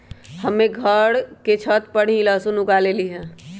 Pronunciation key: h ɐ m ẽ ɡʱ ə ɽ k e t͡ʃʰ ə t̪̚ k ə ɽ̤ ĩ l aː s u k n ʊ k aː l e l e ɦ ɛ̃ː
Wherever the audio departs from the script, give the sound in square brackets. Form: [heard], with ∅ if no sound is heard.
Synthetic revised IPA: h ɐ m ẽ ɡʱ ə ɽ k e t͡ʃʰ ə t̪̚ [p] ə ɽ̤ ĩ l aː s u [∅] n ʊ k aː l e l [i] ɦ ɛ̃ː